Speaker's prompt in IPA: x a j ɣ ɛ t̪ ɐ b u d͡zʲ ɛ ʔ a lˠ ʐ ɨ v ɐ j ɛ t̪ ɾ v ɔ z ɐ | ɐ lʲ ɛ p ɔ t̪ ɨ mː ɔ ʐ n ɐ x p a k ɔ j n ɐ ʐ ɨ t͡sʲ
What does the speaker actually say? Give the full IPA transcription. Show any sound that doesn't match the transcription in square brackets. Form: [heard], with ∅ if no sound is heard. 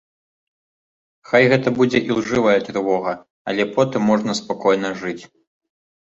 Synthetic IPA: x a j ɣ ɛ t̪ ɐ b u d͡zʲ ɛ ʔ [i] lˠ ʐ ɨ v ɐ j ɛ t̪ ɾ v ɔ [ɣ] ɐ | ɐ lʲ ɛ p ɔ t̪ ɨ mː ɔ ʐ n ɐ [s] p a k ɔ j n ɐ ʐ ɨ t͡sʲ